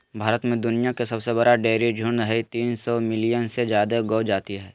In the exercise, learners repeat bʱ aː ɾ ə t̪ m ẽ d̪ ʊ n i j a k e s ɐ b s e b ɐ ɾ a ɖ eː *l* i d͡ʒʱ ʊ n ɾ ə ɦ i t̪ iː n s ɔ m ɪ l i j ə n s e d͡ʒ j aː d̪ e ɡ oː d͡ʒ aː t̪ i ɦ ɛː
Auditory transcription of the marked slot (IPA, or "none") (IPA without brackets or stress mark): ɾ